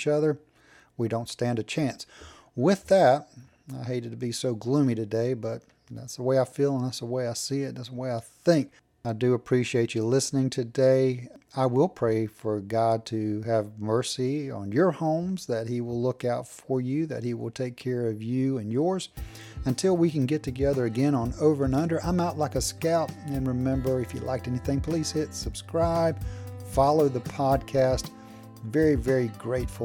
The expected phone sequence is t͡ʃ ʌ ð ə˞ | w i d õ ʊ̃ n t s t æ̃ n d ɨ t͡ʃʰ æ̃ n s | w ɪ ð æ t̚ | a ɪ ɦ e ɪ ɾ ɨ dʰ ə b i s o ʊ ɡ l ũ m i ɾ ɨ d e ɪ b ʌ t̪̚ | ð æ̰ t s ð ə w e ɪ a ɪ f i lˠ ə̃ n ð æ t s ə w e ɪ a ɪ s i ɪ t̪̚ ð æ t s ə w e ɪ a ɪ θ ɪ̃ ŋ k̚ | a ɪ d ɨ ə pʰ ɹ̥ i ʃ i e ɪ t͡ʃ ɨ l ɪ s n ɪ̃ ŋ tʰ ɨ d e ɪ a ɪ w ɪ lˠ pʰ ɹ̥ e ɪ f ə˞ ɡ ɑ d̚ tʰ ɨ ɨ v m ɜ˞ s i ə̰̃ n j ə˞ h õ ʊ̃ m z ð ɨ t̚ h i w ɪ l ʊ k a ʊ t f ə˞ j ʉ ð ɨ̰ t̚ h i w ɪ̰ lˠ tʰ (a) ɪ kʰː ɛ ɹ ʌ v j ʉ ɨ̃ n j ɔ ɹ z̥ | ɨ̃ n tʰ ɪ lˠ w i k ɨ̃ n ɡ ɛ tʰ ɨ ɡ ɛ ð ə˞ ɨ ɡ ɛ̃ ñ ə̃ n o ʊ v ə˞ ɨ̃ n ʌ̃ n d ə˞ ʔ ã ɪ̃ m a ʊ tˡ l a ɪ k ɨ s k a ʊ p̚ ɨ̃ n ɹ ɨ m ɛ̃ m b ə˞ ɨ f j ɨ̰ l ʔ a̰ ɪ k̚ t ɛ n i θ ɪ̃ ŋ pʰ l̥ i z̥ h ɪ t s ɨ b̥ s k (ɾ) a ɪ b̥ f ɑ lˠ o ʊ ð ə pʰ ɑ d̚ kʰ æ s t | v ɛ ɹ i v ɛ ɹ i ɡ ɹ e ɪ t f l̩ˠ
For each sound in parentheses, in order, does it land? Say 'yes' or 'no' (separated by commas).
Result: no, no